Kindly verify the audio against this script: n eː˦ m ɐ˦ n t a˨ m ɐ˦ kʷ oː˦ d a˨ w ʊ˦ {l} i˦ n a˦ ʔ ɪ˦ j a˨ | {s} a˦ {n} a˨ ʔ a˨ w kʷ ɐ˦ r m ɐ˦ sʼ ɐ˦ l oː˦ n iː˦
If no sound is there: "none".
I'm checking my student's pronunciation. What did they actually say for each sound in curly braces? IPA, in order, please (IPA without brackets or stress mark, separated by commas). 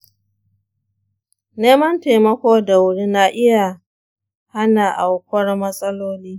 ɽ, h, n